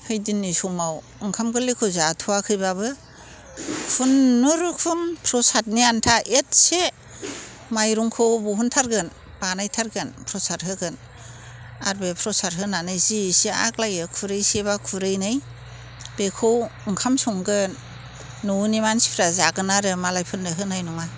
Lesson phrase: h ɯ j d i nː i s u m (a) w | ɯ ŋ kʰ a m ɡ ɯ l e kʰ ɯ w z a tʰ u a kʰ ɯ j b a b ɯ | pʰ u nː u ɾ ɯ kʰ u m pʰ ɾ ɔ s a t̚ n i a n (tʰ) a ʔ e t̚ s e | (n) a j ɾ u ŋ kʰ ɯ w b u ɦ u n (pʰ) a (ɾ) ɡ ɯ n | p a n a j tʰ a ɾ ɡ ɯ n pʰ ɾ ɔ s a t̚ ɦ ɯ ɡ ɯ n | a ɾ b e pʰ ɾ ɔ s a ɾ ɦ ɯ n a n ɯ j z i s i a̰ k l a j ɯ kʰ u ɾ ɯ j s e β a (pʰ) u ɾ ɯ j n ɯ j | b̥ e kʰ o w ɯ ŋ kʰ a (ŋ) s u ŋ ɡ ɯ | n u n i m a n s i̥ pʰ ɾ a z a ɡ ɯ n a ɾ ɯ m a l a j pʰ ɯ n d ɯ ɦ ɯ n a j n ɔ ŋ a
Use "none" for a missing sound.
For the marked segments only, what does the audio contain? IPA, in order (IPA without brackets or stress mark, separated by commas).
a, tʰ, m, tʰ, ɾ, kʰ, m